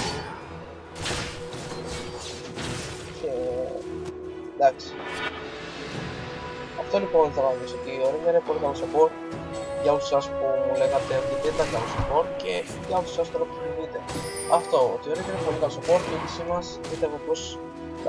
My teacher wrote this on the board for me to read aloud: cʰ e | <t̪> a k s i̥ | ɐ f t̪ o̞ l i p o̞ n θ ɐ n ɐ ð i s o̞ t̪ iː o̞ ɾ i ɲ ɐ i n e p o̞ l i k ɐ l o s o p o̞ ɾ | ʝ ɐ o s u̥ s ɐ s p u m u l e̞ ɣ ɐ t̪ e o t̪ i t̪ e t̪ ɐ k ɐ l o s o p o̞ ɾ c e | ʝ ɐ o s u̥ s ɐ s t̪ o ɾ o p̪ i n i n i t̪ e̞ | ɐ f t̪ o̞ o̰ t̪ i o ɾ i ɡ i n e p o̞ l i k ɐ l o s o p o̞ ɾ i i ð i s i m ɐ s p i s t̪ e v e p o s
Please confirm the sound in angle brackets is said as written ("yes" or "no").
no